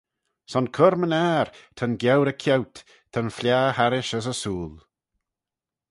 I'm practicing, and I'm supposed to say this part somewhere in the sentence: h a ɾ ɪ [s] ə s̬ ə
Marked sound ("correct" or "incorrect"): incorrect